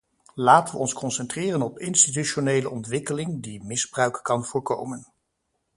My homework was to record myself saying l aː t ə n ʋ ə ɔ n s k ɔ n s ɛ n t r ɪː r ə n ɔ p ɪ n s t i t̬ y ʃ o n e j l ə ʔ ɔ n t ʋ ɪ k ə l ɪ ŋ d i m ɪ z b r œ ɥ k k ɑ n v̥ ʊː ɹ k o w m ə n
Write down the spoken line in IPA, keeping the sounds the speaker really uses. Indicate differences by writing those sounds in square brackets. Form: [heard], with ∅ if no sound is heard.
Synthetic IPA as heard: l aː t ə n ʋ ə ɔ n s k ɔ n s ɛ n t r ɪː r ə n ɔ p ɪ n s t i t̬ y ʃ o n e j l ə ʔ ɔ n t ʋ ɪ k ə l ɪ ŋ d i m ɪ z b r œ ɥ k k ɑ n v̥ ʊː ɹ k o w m ə n